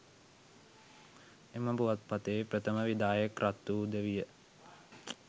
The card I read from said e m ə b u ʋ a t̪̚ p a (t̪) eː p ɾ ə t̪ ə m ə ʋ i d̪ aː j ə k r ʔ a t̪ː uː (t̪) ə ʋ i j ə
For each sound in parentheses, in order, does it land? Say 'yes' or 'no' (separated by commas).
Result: yes, no